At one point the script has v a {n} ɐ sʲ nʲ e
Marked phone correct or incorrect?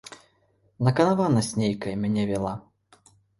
correct